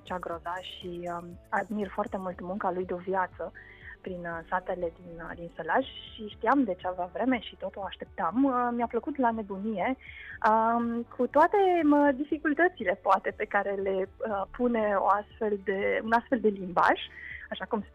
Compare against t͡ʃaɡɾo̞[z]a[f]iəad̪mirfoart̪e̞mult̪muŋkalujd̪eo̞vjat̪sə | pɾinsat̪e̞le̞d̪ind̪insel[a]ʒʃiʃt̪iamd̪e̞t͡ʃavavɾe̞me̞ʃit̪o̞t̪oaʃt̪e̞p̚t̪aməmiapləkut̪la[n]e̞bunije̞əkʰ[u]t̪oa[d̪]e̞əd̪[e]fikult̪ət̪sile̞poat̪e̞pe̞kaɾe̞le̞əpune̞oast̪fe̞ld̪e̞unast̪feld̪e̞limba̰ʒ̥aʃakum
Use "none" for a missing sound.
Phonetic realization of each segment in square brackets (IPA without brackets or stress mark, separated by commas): z, ʃ, a, n, u, t̪, i